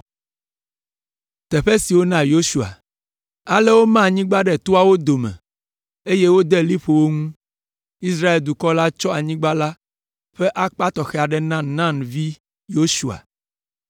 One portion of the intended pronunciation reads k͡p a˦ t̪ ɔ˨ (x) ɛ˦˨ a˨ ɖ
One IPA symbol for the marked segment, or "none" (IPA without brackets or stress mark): x